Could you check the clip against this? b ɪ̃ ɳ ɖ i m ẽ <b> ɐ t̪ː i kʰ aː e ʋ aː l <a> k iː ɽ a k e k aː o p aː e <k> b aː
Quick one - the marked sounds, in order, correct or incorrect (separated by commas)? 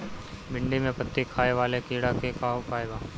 incorrect, incorrect, incorrect